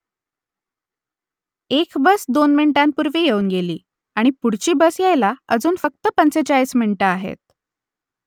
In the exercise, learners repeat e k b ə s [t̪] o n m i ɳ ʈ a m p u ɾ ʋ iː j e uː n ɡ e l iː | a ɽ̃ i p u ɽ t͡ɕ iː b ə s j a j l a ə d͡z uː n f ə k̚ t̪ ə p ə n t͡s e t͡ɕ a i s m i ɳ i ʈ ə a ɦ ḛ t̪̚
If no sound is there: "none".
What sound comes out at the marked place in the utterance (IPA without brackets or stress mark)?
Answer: d̪